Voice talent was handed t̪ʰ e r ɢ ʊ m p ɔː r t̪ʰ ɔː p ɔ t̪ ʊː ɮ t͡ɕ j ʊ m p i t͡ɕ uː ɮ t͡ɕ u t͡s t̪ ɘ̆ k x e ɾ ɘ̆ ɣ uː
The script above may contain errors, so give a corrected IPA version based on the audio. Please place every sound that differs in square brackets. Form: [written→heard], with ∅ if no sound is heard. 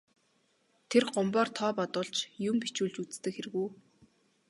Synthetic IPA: t̪ʰ e r ɢ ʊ m p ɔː r t̪ʰ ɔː p ɔ t̪ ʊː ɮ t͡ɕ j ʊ m p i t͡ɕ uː ɮ t͡ɕ u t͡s t̪ ɘ̆ k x e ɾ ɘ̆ ɣ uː